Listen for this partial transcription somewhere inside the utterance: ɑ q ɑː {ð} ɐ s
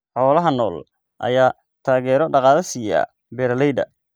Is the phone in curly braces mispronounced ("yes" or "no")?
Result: no